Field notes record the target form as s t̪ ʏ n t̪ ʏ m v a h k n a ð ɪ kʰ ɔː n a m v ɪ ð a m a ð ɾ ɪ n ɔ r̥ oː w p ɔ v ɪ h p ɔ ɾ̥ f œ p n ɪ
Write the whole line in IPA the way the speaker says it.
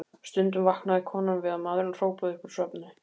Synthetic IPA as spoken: s t̪ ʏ n t̪ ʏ m v a h k n a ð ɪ kʰ ɔː n a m v ɪ ð a m a ð ɾ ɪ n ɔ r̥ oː w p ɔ ð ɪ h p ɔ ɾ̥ s œ p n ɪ